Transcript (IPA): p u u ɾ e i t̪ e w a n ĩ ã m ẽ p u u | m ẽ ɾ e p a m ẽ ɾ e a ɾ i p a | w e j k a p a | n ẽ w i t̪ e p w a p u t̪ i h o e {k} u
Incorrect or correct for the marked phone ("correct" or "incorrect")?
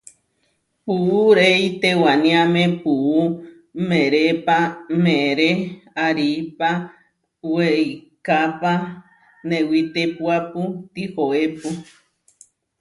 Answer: incorrect